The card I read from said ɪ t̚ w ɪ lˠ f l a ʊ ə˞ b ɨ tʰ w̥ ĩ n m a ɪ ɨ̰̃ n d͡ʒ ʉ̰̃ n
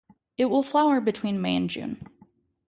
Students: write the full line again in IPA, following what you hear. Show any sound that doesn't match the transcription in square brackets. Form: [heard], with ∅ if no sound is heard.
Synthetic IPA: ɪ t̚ w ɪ lˠ f l a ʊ ə˞ b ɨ tʰ w̥ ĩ n m [e] ɪ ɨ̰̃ n d͡ʒ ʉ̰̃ n